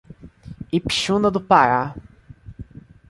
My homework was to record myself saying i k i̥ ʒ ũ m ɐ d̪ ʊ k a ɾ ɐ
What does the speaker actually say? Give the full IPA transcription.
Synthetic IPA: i p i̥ ʃ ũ n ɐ d̪ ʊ p a ɾ a